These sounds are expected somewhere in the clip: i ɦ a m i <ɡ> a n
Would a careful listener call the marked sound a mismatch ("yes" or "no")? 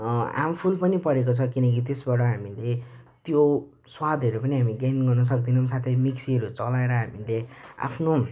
no